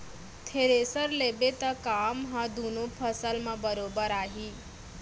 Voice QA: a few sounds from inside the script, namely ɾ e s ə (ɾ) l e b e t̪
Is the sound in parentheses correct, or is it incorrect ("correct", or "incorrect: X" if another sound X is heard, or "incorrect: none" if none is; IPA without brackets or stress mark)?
correct